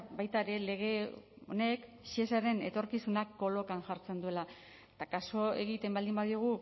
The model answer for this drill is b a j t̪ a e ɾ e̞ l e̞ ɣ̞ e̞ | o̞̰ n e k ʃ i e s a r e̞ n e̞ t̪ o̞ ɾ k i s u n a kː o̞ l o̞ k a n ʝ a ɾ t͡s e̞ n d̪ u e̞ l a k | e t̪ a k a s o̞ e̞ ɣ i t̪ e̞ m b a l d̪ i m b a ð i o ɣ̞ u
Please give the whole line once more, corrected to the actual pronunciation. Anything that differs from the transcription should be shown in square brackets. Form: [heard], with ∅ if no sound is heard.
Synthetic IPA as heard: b a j t̪ a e ɾ e̞ l e̞ ɣ̞ e̞ | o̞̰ n e k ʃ i e s a [ɾ] e̞ n e̞ t̪ o̞ ɾ k i s u n a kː o̞ l o̞ k a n ʝ a ɾ t͡s e̞ n d̪ u e̞ l a [∅] | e t̪ a k a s o̞ e̞ ɣ i t̪ e̞ m b a l d̪ i m b a ð i o ɣ̞ u